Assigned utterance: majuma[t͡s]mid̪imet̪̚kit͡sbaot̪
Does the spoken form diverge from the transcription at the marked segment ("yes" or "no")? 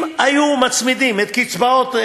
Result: no